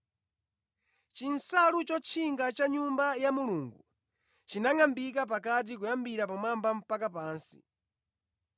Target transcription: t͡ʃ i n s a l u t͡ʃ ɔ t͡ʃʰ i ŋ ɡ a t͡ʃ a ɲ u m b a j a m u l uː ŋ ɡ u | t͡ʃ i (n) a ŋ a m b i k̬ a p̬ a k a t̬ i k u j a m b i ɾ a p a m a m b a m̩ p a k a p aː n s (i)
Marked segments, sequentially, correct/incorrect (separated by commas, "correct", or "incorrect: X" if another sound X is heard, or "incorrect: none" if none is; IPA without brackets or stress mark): correct, correct